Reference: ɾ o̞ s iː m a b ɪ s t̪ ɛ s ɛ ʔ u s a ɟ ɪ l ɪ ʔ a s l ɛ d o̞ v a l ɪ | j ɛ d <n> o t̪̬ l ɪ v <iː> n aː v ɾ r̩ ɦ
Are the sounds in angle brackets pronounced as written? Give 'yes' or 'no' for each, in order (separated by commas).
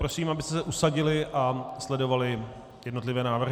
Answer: yes, no